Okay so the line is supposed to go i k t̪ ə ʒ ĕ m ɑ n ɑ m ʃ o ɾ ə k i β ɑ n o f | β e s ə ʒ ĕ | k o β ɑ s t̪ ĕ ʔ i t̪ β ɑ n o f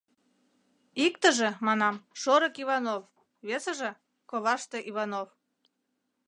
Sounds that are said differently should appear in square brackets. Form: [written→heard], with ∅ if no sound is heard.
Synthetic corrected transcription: i k t̪ ə ʒ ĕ m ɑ n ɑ m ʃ o ɾ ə k i β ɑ n o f | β e s ə ʒ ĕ | k o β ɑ [s→ʃ] t̪ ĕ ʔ i [t̪→∅] β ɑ n o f

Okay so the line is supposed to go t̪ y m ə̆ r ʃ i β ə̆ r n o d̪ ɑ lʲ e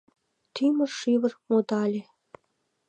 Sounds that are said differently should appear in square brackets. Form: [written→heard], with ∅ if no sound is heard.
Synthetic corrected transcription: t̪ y m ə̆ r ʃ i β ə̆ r [n→m] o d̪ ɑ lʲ e

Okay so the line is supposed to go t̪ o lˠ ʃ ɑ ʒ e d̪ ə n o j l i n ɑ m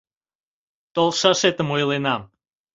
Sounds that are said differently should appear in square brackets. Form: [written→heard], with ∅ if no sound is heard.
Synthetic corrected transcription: t̪ o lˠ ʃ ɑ [ʒ→ʃ] e [d̪→t̪] ə [n→m] o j l [i→e] n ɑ m

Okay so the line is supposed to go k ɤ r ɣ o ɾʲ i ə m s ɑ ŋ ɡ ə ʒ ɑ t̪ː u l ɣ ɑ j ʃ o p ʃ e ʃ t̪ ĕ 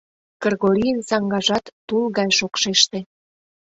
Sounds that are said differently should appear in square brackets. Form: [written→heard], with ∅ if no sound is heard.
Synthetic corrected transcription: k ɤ r ɣ o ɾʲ i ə [m→n] s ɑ ŋ ɡ [ə→ɑ] ʒ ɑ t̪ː u l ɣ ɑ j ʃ o [p→k] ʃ e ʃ t̪ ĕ

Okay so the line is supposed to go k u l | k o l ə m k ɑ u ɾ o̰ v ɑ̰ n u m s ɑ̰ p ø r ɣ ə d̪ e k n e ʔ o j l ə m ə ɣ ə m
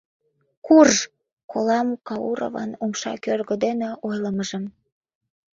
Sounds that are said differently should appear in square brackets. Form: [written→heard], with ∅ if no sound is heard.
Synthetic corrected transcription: k u [l→r] | k o l [ə→ɑ] m k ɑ u ɾ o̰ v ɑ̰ n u m [s→ʃ] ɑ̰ [p→k] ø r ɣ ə d̪ e [k→∅] n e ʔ o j l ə m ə [ɣ→ʒ] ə m

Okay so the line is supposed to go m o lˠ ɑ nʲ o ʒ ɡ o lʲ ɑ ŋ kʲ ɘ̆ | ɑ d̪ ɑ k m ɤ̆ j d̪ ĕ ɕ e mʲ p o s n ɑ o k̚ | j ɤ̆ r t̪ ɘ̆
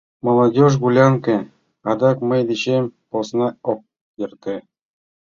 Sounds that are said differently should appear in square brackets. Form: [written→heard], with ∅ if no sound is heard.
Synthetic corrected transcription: m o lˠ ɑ [nʲ→dʲ] o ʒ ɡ [o→u] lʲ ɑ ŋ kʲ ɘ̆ | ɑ d̪ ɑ k m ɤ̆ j d̪ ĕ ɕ e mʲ p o s n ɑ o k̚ | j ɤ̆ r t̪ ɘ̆

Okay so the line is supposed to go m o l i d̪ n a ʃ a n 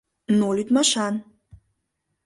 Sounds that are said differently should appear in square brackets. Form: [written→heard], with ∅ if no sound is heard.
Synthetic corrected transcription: [m→n] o l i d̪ [n→m] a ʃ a n

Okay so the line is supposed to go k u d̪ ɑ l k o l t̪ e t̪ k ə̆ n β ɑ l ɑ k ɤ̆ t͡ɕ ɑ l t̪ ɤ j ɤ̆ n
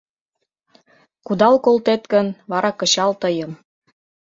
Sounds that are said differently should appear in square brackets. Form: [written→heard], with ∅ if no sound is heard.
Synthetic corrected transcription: k u d̪ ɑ l k o l t̪ e t̪ k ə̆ n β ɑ [l→ɾ] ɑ k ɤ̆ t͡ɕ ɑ l t̪ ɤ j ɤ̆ [n→m]

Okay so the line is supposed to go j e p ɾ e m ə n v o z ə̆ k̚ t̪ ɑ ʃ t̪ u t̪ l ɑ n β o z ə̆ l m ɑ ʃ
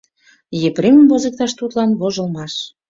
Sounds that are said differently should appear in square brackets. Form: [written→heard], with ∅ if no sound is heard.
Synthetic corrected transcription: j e p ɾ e m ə [n→m] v o z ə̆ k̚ t̪ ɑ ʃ t̪ u t̪ l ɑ n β o [z→ʒ] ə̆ l m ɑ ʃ

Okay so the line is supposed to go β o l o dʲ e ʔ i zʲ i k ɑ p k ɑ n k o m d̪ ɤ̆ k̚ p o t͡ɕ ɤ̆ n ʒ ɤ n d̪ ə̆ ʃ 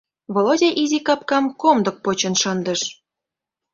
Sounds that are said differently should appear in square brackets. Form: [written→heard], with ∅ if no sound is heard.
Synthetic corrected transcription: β o l o dʲ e ʔ i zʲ i k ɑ p k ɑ [n→m] k o m d̪ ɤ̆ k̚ p o t͡ɕ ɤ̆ n [ʒ→ʃ] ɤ n d̪ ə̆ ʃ

